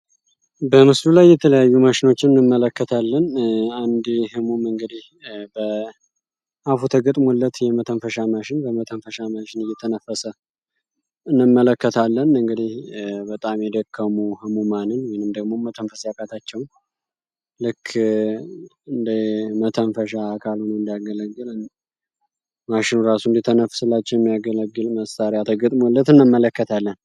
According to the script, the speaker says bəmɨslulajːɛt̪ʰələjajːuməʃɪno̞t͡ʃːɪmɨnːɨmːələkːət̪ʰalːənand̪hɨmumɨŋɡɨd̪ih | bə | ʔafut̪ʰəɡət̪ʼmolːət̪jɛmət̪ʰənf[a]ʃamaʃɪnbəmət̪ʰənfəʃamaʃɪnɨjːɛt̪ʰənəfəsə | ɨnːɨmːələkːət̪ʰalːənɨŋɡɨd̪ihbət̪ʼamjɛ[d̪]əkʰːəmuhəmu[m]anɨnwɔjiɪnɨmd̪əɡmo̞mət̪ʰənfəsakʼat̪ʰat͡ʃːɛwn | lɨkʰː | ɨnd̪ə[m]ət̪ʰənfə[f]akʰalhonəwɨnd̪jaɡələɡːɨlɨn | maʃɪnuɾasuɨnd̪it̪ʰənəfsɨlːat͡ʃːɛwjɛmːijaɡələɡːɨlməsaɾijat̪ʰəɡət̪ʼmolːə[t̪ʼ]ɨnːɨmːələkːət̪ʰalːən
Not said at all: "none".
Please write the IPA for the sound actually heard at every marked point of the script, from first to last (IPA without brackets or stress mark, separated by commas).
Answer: ə, d̪, m, m, ʃ, t̪